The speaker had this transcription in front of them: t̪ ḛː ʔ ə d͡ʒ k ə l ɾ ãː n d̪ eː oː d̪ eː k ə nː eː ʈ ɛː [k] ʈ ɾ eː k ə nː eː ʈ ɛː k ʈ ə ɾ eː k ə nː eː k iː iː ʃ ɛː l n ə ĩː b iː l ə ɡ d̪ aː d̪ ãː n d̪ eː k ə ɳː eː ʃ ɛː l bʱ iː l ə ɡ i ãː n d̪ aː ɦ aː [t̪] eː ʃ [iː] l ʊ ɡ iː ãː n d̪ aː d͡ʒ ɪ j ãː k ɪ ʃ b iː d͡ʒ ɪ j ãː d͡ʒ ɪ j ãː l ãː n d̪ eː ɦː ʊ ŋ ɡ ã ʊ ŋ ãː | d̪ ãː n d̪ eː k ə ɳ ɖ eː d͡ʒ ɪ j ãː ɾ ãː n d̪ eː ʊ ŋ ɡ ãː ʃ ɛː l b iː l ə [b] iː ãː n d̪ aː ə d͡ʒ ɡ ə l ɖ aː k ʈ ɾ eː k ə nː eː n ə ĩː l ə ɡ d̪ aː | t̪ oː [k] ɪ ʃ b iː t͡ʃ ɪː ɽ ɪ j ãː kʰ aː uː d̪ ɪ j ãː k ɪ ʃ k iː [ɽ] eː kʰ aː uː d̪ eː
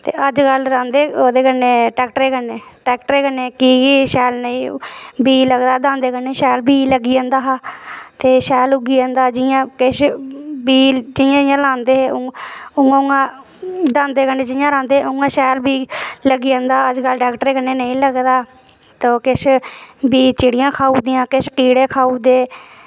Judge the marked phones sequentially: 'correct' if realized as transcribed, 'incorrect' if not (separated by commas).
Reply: correct, correct, incorrect, incorrect, correct, correct